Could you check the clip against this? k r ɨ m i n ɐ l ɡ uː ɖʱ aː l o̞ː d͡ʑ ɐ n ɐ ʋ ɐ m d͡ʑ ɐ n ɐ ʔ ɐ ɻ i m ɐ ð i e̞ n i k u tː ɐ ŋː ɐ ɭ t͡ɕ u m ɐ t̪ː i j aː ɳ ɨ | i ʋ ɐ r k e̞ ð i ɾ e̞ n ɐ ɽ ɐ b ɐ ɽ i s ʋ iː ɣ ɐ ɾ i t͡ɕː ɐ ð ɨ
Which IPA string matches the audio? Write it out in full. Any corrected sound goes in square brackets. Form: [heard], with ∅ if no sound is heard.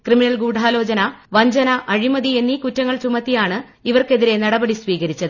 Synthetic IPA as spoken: k r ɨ m i n ɐ l ɡ uː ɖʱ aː l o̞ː d͡ʑ ɐ n ɐ ʋ ɐ [ɲ] d͡ʑ ɐ n ɐ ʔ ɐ ɻ i m ɐ ð i e̞ [nː] i k u tː ɐ ŋː ɐ ɭ t͡ɕ u m ɐ t̪ː i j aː ɳ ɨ | i ʋ ɐ r k e̞ ð i ɾ e̞ n ɐ ɽ ɐ b ɐ ɽ i s ʋ iː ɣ ɐ ɾ i t͡ɕː ɐ ð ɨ